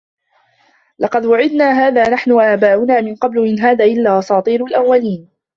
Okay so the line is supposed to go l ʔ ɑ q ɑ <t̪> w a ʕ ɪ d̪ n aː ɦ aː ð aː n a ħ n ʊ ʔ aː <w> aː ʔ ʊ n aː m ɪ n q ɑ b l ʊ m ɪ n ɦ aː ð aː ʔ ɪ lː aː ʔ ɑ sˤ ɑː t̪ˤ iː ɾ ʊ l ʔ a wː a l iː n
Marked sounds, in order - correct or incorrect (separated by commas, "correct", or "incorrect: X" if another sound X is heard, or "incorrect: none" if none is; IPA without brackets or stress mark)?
incorrect: d̪, incorrect: b